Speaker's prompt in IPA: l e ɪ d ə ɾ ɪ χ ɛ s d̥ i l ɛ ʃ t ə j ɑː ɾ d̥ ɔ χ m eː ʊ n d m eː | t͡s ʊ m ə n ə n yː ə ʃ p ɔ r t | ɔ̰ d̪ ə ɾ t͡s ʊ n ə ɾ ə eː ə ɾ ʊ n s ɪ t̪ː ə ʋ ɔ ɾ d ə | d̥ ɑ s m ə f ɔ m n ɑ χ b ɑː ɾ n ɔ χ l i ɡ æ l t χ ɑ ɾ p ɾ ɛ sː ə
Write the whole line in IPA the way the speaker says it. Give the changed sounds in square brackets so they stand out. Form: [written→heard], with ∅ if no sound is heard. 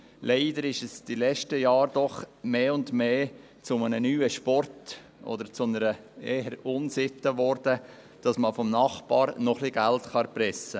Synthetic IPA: l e ɪ d ə ɾ ɪ [χ→ʃ] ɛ s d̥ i l ɛ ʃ t ə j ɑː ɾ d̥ ɔ χ m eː ʊ n d m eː | t͡s ʊ m ə n ə n yː ə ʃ p ɔ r t | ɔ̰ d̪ ə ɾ t͡s ʊ n ə ɾ ə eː ə ɾ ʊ n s ɪ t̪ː ə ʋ ɔ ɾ d ə | d̥ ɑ s m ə f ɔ m n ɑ χ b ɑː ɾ n ɔ χ l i ɡ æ l t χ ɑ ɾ p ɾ ɛ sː ə

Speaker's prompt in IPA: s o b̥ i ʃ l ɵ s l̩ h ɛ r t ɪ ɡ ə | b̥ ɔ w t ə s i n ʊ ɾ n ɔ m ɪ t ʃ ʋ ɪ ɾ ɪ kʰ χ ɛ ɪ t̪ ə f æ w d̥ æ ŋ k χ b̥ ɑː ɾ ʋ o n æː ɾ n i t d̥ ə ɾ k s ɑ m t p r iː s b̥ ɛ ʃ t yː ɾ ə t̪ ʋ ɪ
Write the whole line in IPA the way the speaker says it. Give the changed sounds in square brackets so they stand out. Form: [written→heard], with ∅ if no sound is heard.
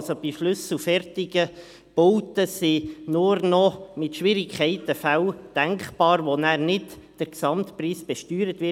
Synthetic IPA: s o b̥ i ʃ l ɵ s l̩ [h→f] ɛ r t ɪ ɡ ə | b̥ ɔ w t ə s i n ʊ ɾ n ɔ m ɪ t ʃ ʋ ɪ ɾ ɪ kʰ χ ɛ ɪ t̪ ə f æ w d̥ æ ŋ k χ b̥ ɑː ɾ ʋ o n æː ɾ n [i→ɪ] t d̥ ə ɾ k s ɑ m t p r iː s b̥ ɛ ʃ t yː ɾ ə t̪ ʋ ɪ

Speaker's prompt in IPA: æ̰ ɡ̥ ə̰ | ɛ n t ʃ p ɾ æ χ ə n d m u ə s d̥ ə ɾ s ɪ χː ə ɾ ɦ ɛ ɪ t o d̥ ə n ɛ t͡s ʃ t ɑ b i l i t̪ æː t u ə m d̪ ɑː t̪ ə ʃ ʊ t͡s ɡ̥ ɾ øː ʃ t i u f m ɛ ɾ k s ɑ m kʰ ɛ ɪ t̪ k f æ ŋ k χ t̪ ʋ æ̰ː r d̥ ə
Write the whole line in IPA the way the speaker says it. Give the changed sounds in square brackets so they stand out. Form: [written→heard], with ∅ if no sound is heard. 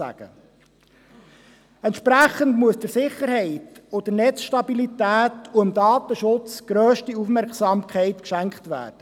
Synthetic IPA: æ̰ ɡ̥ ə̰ | ɛ n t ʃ p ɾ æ χ ə n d m u ə s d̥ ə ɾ s ɪ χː ə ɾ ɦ ɛ ɪ t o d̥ ə n ɛ t͡s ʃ t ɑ b i l i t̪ æː t u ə m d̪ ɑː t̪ ə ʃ ʊ t͡s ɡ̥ ɾ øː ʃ t i u f m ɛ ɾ k s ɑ m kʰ ɛ ɪ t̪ k [f→ʃ] æ ŋ k χ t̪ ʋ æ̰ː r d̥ ə

